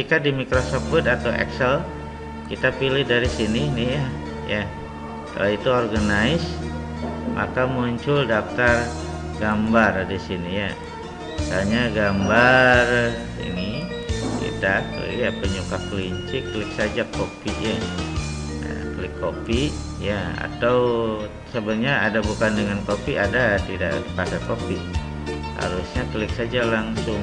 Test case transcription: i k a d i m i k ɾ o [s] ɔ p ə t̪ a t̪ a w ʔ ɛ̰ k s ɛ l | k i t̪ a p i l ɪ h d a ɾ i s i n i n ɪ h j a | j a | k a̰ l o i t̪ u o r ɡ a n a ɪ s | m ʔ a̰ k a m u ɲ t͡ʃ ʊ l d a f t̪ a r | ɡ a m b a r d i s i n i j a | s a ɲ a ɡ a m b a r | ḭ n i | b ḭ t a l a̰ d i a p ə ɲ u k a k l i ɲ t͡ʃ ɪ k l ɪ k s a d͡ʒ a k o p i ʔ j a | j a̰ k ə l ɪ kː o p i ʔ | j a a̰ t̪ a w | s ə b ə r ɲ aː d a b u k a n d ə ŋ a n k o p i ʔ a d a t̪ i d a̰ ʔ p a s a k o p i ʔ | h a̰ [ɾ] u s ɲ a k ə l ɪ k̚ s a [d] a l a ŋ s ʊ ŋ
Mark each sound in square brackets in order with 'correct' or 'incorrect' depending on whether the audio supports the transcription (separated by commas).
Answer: correct, correct, incorrect